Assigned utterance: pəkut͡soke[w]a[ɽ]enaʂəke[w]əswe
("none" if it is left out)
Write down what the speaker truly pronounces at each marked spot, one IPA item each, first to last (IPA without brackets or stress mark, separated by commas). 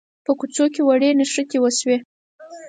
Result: w, ɽ, w